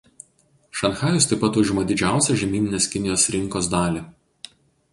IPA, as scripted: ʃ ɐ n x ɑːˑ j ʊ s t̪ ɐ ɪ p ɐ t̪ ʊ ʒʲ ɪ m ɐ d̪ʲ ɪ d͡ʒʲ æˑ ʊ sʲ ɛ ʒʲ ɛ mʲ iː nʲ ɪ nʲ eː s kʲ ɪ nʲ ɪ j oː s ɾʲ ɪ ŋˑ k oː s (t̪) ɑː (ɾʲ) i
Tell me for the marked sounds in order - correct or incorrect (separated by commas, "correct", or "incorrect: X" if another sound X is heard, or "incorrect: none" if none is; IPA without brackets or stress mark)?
incorrect: d̪, incorrect: lʲ